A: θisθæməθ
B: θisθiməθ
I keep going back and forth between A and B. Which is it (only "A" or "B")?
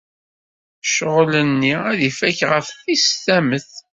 A